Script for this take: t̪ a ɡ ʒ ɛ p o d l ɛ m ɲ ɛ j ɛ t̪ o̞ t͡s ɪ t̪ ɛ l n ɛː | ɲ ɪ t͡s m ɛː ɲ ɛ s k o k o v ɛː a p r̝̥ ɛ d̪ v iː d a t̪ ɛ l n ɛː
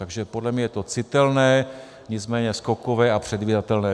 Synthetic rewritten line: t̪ a ɡ ʒ ɛ p o d l ɛ m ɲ ɛ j ɛ t̪ o̞ t͡s ɪ t̪ ɛ l n ɛː | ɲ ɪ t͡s m ɛː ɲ ɛ s k o k o v ɛː a p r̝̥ ɛ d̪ v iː d a t̪ ɛ l n ɛː